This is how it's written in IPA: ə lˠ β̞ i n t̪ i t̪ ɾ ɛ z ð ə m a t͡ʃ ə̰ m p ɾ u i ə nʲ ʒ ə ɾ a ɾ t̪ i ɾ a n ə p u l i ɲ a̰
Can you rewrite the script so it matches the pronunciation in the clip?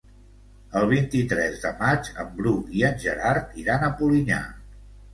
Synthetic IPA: ə lˠ β̞ i n t̪ i t̪ ɾ ɛ z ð ə m a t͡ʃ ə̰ m b ɾ u i ə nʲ ʒ ə ɾ a ɾ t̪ i ɾ a n ə p u l i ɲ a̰